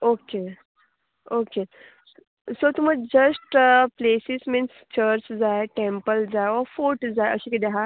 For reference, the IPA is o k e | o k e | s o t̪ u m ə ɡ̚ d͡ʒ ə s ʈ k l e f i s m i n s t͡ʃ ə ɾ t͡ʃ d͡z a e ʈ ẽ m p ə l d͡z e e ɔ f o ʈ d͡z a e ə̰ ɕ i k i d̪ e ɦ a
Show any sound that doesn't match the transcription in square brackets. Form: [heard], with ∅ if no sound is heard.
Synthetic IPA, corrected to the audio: o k e | o k e | s o t̪ u m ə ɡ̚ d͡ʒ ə s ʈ [p] l e [s] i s m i n s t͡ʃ ə ɾ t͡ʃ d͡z a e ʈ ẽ m p ə l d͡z [a] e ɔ f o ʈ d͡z a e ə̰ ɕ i k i d̪ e ɦ a